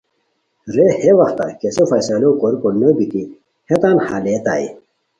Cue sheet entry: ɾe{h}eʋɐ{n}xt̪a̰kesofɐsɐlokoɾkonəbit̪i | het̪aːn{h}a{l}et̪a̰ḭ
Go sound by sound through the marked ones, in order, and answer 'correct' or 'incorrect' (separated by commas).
correct, incorrect, correct, correct